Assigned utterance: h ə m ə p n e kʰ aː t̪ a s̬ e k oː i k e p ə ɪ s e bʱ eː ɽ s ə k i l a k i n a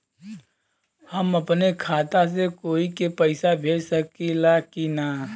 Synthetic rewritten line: h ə m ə p n e kʰ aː t̪ a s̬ e k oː i k e p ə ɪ s a bʱ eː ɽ s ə k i l a k i n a